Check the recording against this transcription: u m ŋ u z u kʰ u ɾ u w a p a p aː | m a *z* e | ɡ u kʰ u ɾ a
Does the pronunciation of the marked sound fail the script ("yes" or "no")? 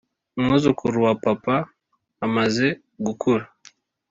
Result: no